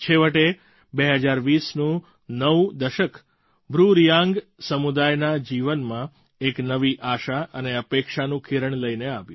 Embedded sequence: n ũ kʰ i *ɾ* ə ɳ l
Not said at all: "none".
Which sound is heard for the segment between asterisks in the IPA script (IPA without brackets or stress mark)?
ɾ